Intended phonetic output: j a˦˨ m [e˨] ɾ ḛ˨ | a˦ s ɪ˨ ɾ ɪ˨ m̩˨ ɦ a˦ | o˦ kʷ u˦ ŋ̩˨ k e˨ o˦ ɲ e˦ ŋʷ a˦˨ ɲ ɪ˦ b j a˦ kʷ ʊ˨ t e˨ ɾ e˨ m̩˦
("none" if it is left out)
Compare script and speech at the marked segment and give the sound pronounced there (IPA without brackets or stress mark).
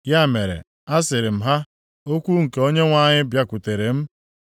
e˨